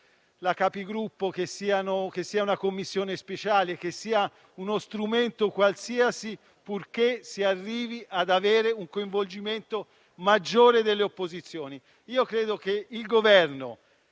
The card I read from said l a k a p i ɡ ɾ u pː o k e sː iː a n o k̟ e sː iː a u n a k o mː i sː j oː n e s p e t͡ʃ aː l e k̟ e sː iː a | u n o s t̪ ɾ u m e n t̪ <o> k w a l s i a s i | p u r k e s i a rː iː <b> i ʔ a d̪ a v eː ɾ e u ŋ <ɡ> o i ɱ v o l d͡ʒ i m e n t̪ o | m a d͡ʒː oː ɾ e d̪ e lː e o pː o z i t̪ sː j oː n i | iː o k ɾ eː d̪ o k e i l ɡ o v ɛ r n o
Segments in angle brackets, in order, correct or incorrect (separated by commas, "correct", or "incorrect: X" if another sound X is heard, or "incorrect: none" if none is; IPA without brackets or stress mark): correct, incorrect: v, incorrect: k